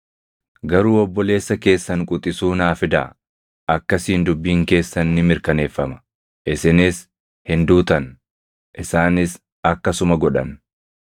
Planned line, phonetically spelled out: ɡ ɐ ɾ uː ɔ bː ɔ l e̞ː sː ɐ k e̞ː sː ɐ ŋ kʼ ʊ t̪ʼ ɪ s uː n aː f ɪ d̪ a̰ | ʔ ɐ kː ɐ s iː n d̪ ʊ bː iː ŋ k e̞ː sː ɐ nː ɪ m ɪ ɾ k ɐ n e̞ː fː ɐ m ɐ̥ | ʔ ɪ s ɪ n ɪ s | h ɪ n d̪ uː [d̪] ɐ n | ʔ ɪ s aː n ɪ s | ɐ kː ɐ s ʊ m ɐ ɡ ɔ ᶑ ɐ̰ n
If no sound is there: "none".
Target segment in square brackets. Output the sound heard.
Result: t̪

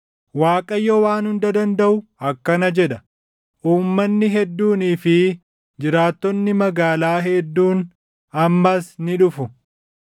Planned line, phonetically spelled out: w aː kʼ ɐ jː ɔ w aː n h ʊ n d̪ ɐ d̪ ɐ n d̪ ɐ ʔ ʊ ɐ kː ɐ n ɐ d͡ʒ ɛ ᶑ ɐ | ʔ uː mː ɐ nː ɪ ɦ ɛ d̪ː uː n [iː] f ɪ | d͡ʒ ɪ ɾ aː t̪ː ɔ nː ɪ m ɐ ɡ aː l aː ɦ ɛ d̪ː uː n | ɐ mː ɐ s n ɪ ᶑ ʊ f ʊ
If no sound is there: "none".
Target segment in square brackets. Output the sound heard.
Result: iː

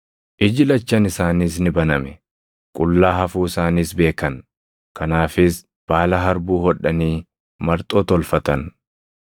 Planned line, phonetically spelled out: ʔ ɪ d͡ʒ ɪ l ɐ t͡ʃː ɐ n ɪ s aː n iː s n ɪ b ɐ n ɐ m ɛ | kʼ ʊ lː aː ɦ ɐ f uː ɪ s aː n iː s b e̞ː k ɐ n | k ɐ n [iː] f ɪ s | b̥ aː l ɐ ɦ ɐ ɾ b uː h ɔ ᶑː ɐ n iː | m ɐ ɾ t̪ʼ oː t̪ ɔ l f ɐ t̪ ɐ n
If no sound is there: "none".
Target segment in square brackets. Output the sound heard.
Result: aː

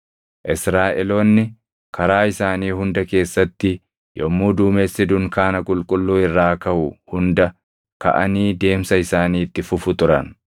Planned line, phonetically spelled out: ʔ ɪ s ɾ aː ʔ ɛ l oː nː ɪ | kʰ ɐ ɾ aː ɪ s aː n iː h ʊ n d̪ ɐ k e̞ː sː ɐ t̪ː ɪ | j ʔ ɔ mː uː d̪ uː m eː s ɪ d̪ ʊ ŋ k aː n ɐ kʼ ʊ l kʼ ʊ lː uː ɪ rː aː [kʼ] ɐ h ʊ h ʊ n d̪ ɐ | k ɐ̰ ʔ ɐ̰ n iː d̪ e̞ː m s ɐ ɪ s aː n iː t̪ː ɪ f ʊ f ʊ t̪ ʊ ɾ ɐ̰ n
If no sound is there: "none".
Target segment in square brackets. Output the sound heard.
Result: k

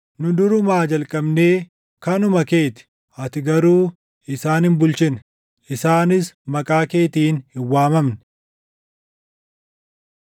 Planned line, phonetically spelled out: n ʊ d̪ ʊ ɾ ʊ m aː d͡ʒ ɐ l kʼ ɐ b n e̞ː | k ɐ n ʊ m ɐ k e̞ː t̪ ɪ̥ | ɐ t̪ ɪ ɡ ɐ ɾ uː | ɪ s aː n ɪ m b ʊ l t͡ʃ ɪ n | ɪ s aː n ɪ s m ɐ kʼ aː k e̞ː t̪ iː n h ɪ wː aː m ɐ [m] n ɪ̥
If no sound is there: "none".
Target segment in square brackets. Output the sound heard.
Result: m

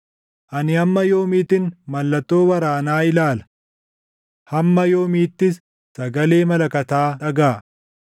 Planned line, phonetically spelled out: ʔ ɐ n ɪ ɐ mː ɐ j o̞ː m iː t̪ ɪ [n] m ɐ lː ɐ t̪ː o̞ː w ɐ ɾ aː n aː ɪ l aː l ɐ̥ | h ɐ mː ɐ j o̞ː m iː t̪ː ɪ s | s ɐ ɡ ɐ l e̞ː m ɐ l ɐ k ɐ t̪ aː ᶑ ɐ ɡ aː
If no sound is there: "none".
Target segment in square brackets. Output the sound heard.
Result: n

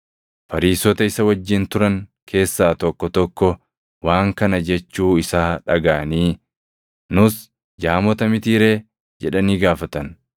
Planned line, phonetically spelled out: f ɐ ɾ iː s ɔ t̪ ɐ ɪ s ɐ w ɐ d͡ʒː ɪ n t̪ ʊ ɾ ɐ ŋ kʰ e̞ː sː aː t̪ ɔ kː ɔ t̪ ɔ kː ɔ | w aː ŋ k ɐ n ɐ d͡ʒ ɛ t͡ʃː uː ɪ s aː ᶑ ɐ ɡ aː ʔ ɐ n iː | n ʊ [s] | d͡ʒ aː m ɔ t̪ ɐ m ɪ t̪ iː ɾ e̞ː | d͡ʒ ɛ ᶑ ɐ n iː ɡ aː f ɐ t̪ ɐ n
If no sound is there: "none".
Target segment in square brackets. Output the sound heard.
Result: s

